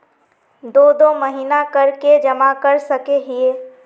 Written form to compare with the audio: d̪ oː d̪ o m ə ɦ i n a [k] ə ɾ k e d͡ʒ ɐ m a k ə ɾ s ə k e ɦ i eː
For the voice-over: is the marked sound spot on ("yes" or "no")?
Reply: yes